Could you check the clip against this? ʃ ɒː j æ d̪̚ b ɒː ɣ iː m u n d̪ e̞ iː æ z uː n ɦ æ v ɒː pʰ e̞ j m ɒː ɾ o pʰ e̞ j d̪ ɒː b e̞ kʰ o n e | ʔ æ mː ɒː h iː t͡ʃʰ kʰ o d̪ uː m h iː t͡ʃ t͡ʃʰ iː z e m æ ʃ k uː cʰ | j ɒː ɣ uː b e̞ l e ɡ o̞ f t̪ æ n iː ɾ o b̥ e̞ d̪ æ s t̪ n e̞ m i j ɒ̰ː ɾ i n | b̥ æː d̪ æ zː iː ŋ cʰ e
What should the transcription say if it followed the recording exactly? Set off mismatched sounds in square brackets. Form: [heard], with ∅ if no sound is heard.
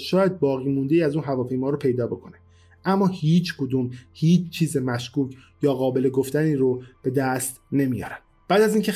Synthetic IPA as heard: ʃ ɒː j æ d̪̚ b ɒː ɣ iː m u n d̪ e̞ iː æ z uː n ɦ æ v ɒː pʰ e̞ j m ɒː ɾ o pʰ e̞ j d̪ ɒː b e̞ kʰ o n e | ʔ æ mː ɒː h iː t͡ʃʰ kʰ o d̪ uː m h iː t͡ʃ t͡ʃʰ iː z e m æ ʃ k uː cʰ | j ɒː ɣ [ɒː] b e̞ l e ɡ o̞ f t̪ æ n iː ɾ o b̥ e̞ d̪ æ s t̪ n e̞ m i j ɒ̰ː ɾ [æ] n | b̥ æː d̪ æ [z] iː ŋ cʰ e